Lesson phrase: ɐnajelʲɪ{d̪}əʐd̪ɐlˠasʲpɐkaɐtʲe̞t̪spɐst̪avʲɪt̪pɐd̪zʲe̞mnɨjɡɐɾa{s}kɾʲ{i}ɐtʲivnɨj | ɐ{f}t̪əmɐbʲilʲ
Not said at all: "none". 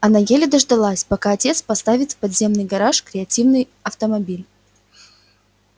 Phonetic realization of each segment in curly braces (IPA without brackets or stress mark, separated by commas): d̪, ʂ, ɪ, f